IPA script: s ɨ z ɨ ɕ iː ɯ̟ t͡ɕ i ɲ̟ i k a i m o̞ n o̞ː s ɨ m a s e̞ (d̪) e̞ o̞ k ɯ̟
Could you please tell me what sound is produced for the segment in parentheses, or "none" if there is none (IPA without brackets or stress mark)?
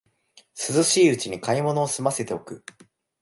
t̪